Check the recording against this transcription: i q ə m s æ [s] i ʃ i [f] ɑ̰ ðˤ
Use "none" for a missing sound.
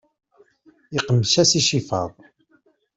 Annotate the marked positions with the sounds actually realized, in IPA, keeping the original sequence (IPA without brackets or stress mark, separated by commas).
s, f